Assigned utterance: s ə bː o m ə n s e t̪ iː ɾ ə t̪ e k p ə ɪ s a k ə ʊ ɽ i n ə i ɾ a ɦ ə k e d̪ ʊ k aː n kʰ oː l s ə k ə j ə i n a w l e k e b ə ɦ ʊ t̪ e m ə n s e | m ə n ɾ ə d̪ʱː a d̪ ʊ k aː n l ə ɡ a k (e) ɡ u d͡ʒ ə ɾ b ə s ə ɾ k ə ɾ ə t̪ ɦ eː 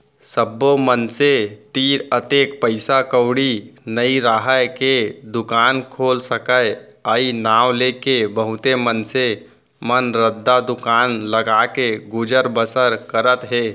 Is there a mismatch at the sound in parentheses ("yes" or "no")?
no